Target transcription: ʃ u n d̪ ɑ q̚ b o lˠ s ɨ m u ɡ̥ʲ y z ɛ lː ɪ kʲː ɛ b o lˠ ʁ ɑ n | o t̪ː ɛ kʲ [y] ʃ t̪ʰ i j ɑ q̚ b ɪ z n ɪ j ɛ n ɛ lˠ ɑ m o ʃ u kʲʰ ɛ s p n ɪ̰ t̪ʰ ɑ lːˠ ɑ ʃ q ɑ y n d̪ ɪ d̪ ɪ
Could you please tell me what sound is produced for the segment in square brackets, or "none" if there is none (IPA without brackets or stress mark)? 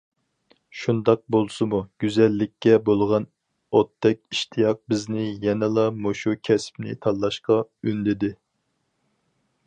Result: i